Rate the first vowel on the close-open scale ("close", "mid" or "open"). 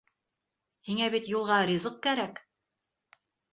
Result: close